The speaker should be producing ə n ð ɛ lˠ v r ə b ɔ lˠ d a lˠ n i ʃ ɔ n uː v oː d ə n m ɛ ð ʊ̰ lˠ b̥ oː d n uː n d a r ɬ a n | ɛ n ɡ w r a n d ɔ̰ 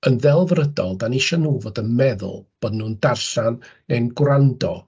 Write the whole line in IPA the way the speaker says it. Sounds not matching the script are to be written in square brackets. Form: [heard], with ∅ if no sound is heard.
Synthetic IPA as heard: ə n ð ɛ lˠ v r ə [d] ɔ lˠ d a [∅] n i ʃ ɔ n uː v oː d ə n m ɛ ð ʊ̰ lˠ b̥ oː d n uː n d a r ɬ a n | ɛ n ɡ w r a n d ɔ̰